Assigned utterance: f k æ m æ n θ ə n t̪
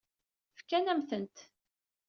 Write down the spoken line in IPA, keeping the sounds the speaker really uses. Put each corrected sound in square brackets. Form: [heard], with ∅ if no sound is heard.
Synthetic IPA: f k æ [n] æ [m] θ ə n t̪